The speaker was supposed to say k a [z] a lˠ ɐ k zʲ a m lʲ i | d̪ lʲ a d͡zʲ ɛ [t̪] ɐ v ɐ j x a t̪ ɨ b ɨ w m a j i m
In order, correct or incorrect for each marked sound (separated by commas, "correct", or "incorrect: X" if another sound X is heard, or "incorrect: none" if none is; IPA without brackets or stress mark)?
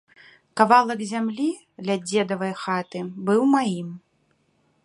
incorrect: v, incorrect: d̪